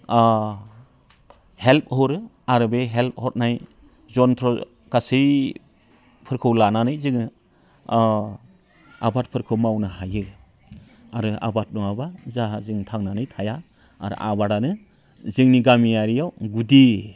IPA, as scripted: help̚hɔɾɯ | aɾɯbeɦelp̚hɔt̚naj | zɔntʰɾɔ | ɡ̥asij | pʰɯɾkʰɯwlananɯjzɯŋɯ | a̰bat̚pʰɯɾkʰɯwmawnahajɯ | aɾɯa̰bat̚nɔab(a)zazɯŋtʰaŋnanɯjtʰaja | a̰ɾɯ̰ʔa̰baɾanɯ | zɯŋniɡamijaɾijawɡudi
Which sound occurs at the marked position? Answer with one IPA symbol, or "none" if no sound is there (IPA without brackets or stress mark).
a